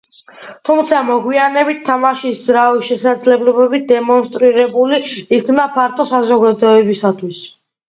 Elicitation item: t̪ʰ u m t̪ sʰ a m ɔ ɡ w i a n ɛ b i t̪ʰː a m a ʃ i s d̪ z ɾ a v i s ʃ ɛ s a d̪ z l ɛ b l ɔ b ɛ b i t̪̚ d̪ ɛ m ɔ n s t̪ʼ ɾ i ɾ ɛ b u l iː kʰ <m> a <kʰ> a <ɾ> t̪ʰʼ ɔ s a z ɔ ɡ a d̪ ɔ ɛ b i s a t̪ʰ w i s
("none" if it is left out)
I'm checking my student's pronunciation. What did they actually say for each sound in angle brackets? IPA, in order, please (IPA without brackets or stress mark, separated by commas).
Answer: n, pʰ, ɾ